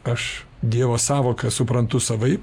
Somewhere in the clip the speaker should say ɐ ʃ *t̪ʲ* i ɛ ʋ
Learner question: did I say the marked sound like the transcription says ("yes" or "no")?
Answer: no